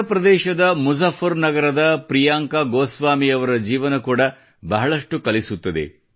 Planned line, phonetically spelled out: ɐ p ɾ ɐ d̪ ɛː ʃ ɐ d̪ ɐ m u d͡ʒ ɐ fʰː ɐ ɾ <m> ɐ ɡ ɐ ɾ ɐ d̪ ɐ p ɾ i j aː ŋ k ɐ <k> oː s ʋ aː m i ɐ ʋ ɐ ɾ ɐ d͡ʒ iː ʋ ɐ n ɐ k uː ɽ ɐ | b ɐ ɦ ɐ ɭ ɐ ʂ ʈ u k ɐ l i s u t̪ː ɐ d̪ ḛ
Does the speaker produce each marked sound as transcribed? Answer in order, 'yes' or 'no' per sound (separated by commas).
no, no